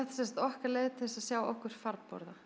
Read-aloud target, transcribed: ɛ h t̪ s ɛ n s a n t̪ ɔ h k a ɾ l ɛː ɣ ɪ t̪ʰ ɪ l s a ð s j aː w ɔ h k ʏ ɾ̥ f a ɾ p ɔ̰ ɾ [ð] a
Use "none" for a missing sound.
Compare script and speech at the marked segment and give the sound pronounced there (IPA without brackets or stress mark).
ð